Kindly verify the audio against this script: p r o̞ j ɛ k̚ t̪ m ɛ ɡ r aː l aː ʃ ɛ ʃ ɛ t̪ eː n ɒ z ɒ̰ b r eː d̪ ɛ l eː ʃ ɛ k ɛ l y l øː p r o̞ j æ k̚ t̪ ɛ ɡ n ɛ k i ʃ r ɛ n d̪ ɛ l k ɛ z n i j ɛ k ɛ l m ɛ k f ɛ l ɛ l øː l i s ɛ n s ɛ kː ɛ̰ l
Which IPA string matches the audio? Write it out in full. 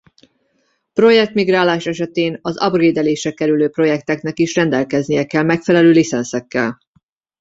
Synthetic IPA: p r o̞ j ɛ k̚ t̪ m i ɡ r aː l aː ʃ ɛ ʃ ɛ t̪ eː n ɒ z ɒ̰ b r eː d̪ ɛ l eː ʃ ɛ k ɛ ɾ y l øː p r o̞ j ɛ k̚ t̪ ɛ k n ɛ k i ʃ r ɛ n d̪ ɛ l k ɛ z n i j ɛ k ɛ l m ɛ k f ɛ l ɛ l øː l i s ɛ n s ɛ kː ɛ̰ l